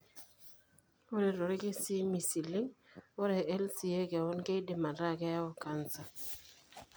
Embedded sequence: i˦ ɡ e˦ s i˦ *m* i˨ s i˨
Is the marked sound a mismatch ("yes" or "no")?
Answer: no